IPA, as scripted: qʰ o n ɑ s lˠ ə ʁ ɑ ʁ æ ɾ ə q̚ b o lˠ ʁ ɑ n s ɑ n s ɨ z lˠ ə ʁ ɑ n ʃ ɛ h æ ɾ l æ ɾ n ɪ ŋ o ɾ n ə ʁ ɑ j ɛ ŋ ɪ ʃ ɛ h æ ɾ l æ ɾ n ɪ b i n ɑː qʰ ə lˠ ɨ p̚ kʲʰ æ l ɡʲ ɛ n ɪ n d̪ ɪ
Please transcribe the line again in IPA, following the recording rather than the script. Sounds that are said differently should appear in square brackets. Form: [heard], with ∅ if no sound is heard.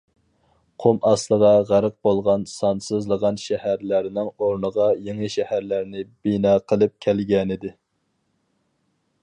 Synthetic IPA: qʰ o [m] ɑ s lˠ ə ʁ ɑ ʁ æ ɾ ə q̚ b o lˠ ʁ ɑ n s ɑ n s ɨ z lˠ ə ʁ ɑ n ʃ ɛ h æ ɾ l æ ɾ n ɪ ŋ o ɾ n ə ʁ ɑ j [e] ŋ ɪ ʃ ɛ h æ ɾ l æ ɾ n ɪ b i n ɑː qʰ ə lˠ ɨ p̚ kʲʰ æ l ɡʲ ɛ n ɪ [∅] d̪ ɪ